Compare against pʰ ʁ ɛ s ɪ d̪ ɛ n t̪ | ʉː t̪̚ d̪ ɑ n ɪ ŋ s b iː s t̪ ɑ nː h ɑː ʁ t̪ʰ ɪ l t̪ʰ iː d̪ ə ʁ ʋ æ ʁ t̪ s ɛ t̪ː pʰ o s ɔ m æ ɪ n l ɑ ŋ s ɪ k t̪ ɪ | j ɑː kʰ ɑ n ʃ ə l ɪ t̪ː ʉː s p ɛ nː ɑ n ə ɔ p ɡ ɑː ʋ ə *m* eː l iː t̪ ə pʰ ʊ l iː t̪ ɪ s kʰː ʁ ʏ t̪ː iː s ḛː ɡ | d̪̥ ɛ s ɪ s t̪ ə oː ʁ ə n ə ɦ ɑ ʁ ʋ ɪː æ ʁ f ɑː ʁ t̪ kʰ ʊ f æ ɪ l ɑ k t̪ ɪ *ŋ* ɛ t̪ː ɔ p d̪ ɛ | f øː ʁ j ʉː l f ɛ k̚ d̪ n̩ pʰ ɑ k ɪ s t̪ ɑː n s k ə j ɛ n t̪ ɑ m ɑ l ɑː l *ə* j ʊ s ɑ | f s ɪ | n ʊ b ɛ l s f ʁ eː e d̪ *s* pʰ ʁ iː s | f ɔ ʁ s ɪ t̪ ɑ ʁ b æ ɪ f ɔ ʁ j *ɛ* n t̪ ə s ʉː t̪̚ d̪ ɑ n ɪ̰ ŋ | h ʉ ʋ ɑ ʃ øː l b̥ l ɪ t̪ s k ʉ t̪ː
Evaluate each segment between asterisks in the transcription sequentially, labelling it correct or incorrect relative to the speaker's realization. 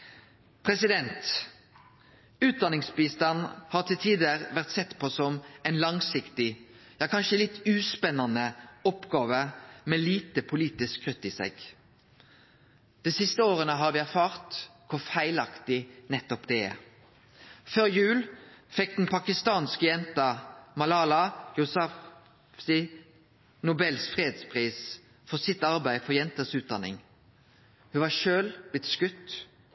correct, incorrect: n, incorrect: ɑ, correct, correct

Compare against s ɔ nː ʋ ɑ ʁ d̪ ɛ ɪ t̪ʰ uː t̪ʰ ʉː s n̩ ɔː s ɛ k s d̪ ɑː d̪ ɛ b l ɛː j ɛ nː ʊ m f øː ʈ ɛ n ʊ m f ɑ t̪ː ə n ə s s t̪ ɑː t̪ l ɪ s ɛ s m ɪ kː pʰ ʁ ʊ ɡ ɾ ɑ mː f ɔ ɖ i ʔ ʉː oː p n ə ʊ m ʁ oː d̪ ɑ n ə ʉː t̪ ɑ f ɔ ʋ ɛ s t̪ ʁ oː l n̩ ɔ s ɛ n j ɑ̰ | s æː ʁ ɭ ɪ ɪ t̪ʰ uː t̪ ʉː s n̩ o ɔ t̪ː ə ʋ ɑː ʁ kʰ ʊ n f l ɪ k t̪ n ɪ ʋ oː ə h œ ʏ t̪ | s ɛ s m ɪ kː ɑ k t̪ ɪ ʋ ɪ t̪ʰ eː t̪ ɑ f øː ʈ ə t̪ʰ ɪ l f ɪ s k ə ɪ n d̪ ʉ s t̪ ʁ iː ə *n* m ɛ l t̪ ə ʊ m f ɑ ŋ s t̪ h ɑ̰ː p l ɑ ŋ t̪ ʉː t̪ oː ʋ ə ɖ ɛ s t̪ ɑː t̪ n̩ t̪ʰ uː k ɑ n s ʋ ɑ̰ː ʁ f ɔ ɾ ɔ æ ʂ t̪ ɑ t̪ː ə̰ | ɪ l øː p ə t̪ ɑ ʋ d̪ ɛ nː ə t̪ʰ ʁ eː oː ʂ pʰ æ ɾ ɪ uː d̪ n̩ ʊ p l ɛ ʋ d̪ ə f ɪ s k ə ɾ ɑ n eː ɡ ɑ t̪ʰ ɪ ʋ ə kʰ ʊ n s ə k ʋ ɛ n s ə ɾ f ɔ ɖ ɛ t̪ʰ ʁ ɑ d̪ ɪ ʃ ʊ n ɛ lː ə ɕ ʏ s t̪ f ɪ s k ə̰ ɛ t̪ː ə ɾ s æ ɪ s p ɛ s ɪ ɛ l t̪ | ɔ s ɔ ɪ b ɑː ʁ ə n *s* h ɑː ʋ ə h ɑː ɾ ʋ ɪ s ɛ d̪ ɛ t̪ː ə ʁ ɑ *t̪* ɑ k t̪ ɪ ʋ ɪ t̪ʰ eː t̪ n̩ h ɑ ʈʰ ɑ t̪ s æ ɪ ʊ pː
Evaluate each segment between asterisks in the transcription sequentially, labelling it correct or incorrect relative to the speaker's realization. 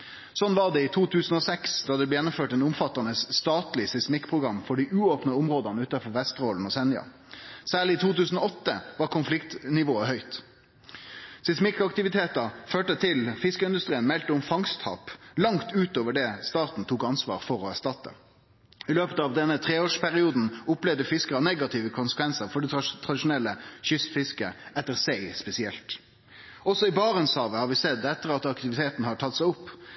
correct, correct, correct

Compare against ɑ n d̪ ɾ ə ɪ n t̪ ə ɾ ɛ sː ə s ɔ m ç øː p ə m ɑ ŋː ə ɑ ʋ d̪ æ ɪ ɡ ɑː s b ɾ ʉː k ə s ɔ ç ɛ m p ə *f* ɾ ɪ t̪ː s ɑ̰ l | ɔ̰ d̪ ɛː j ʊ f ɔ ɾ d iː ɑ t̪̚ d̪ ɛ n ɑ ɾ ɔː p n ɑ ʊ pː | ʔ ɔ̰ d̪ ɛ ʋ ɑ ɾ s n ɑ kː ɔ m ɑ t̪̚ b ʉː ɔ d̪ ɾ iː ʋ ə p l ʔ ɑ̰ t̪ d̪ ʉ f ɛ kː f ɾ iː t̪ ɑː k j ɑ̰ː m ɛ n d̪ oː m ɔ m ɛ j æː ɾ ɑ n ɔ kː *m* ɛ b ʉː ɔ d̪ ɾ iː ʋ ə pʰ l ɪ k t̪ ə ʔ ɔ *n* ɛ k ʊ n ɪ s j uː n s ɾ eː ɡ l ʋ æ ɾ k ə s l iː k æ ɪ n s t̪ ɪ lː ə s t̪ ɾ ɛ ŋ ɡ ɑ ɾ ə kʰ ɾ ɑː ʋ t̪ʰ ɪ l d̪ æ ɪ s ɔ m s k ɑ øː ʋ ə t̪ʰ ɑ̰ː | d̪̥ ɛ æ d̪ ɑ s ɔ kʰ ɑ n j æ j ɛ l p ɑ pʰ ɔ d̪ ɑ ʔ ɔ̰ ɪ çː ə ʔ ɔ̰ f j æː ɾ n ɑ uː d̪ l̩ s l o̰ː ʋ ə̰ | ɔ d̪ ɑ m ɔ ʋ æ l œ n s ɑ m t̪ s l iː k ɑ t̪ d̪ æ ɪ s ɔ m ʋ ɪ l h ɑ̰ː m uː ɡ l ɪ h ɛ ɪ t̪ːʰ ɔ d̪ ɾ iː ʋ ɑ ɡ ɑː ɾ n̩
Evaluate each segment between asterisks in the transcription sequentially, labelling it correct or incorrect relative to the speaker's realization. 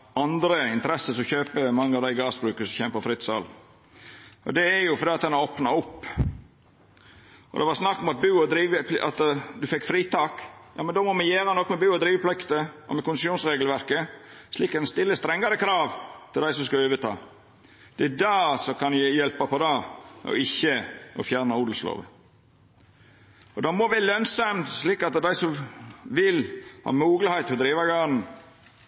correct, correct, incorrect: m

